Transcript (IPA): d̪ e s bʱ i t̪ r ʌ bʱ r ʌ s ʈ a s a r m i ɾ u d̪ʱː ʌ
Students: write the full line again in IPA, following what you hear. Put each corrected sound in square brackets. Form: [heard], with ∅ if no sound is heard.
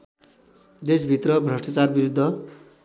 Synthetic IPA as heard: d̪ e s bʱ i t̪ r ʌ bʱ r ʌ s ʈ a [t͡s] a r [b] i ɾ u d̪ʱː ʌ